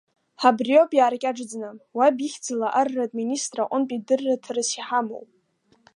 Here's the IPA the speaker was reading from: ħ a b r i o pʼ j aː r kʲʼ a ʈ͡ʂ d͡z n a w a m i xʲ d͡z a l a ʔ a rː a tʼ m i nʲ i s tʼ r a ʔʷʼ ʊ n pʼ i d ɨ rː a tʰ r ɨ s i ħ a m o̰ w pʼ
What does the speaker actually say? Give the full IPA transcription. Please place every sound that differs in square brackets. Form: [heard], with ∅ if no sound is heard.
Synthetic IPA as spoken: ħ a b r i o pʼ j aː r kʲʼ a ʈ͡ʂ d͡z n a w a [b] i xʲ d͡z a l a ʔ a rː a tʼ m i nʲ i s tʼ r a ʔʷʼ ʊ n pʼ i d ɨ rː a tʰ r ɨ s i ħ a m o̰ w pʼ